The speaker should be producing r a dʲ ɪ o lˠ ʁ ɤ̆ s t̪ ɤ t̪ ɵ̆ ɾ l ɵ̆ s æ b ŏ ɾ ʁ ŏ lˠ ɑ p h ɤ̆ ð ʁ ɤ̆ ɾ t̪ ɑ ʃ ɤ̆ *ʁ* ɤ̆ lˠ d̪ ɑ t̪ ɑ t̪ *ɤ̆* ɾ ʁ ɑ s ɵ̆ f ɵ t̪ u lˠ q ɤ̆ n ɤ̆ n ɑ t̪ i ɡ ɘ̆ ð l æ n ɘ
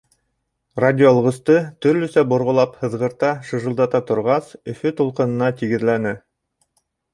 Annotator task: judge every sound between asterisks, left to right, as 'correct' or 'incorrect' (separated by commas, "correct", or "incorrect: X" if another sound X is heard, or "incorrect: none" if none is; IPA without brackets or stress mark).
incorrect: ʒ, incorrect: ŏ